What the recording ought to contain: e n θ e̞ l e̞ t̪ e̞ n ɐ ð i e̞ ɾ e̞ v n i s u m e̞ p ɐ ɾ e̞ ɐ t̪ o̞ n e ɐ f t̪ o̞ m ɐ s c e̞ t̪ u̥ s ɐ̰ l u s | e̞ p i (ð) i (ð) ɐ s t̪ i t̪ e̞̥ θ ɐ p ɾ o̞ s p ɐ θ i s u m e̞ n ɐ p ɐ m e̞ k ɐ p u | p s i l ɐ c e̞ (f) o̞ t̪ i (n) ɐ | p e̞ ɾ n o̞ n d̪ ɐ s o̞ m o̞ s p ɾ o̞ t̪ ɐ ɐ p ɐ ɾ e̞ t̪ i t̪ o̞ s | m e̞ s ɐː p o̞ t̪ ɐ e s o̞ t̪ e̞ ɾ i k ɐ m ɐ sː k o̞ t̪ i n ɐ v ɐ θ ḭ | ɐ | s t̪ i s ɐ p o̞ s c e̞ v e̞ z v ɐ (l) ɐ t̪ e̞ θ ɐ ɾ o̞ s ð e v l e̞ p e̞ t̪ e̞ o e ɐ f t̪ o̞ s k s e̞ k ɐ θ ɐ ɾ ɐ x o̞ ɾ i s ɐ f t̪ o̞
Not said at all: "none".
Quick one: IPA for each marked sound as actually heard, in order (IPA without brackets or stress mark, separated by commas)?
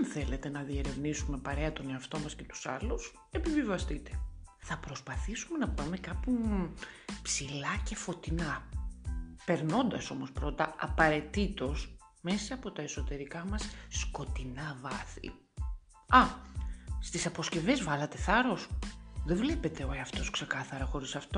v, v, f, n, l